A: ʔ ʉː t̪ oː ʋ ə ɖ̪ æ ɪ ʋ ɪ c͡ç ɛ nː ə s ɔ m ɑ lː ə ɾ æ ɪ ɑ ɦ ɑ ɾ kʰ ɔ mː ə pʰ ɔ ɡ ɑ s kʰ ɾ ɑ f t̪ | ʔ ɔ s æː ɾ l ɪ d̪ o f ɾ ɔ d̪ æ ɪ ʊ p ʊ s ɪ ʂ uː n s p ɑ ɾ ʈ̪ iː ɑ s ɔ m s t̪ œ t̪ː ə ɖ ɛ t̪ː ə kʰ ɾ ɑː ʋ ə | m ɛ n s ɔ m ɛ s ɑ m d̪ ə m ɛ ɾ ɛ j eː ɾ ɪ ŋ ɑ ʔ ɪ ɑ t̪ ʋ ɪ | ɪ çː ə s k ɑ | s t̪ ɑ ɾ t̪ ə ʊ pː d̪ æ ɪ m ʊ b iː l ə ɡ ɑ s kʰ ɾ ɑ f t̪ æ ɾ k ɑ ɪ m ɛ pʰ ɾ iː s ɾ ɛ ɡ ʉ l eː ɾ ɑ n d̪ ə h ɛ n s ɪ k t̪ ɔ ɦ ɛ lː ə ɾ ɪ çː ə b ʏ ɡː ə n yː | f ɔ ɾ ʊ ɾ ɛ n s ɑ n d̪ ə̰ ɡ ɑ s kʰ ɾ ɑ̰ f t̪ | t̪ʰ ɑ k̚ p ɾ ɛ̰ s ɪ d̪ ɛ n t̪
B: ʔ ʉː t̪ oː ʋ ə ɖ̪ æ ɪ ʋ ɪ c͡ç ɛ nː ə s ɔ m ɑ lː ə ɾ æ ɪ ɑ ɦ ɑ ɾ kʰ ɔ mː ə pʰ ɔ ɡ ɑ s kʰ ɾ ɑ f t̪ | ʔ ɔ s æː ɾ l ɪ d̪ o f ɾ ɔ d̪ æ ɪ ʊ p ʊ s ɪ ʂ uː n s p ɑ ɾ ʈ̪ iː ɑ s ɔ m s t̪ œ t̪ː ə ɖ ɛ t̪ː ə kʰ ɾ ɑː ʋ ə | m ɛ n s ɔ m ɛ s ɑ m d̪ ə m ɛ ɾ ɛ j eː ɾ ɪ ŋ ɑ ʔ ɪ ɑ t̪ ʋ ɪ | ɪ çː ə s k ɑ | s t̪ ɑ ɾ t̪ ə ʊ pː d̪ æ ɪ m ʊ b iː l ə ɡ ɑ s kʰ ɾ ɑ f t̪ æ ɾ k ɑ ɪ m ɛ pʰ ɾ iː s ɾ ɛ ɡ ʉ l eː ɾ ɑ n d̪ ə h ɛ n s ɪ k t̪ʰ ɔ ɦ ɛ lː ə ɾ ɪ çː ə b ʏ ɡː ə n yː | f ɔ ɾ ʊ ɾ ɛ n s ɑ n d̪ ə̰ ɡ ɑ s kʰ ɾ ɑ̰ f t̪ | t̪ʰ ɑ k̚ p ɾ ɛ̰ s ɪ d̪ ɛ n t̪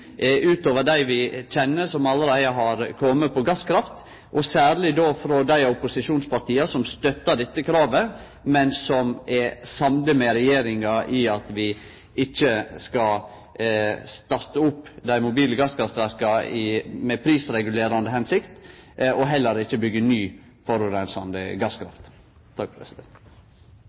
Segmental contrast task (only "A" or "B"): A